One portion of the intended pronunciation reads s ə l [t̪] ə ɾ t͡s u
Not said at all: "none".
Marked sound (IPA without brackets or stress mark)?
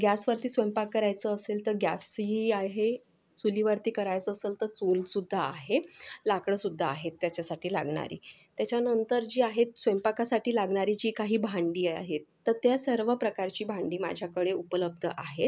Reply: t̪